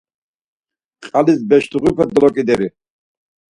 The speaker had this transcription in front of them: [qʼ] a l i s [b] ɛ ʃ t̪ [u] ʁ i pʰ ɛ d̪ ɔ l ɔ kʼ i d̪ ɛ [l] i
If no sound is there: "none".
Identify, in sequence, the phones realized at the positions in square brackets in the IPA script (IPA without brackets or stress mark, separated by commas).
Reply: qʼ, b, u, ɾ